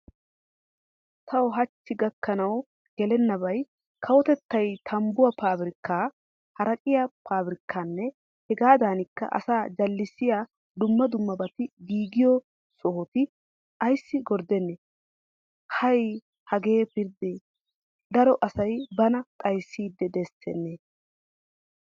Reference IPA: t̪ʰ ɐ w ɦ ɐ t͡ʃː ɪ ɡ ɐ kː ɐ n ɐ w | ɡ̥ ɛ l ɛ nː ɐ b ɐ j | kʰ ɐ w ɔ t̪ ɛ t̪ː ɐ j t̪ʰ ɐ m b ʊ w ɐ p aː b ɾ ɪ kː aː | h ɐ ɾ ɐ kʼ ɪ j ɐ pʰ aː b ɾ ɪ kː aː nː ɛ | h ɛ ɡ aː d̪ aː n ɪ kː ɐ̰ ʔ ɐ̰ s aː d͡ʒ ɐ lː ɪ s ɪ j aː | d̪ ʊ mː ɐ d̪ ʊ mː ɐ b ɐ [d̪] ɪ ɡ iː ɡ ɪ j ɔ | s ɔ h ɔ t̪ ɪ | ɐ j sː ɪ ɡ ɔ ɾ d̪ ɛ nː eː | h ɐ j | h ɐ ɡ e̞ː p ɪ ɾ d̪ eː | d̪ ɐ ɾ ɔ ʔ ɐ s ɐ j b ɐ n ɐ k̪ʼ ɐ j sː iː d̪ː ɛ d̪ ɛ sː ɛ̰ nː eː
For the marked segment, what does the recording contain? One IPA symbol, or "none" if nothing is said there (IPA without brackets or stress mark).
t̪